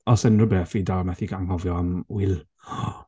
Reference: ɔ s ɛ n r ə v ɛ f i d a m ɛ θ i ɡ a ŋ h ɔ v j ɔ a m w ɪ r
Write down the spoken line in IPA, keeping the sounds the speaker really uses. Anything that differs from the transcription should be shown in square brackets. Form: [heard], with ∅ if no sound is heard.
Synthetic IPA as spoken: ɔ s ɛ n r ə [b] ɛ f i d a m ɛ θ i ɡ a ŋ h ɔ v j ɔ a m w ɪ [l]